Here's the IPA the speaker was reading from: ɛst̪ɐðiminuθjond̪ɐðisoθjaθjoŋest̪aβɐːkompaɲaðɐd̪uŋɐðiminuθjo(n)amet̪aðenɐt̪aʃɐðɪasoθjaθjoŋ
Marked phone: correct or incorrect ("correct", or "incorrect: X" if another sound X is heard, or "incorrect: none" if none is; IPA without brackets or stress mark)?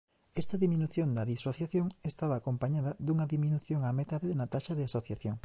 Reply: incorrect: ŋ